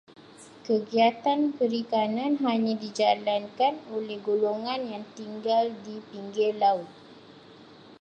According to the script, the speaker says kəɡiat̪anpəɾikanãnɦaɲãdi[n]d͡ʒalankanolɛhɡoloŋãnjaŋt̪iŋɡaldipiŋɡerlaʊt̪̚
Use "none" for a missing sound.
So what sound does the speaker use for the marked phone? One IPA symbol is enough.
none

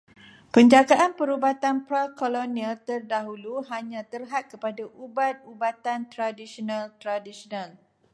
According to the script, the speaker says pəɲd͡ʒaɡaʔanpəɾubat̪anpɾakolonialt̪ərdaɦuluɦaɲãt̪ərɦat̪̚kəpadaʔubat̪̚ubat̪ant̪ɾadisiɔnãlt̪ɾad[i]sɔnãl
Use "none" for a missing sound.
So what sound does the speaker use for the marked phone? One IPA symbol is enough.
i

